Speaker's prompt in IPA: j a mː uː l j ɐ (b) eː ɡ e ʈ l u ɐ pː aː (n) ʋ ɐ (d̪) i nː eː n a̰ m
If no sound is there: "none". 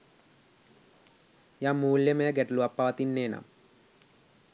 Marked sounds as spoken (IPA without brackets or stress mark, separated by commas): m, none, t̪